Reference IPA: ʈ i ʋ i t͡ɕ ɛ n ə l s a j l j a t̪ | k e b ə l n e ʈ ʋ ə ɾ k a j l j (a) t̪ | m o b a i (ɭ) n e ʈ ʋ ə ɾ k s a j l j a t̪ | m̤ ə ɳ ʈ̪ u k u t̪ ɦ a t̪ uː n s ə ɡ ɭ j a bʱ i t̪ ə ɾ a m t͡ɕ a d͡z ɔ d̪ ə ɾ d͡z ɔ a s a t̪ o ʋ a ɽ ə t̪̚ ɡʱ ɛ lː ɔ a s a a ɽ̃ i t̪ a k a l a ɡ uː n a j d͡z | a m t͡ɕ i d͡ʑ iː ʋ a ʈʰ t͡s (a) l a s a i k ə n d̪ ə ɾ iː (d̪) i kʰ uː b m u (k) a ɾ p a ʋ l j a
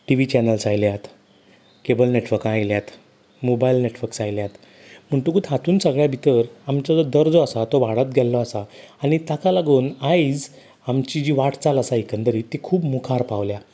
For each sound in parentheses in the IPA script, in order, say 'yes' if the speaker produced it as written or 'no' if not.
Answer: yes, no, yes, no, no

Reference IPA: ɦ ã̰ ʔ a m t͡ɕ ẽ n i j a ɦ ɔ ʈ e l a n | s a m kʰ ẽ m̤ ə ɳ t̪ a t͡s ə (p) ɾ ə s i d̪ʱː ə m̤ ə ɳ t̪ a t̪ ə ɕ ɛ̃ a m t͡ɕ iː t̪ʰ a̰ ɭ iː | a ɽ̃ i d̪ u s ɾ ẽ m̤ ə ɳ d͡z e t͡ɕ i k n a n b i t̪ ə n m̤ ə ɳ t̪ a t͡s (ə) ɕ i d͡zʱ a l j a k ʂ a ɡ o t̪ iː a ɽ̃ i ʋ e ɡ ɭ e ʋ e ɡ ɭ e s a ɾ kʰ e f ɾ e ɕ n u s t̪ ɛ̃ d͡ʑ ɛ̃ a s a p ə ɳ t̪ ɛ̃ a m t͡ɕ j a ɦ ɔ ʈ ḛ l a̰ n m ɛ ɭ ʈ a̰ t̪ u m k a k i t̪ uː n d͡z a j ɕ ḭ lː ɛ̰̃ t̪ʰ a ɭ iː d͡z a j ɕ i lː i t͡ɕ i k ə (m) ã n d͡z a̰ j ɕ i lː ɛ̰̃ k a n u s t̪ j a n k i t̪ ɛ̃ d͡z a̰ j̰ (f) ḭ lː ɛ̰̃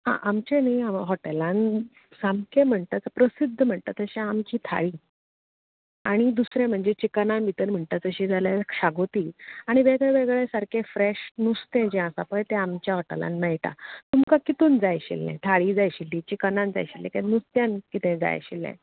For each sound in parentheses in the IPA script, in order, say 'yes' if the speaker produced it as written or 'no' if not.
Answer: yes, yes, no, no

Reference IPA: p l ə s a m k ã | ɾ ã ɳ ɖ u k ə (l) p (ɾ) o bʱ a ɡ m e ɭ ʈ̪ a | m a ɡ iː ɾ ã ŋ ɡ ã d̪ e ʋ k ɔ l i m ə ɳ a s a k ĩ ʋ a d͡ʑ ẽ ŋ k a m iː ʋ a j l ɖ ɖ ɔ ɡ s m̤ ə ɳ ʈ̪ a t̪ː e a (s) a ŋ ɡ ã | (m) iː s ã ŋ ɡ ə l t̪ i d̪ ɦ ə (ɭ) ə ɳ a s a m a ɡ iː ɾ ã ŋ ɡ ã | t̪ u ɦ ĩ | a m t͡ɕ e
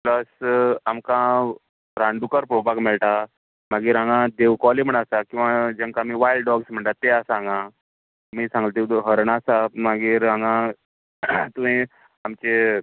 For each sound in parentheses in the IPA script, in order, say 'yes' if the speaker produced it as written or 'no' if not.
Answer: no, yes, yes, yes, no

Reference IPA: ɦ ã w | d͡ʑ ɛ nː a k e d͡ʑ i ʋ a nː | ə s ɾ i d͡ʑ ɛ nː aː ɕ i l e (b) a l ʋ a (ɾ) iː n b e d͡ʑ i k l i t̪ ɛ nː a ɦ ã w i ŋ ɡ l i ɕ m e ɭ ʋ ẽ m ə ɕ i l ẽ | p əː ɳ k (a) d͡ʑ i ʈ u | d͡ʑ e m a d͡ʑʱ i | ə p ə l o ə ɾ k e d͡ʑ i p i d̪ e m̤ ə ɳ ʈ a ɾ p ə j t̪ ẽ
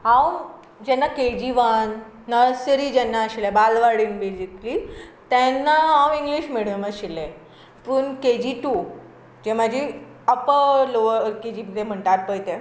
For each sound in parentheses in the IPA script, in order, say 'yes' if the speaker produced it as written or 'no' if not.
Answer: yes, no, no

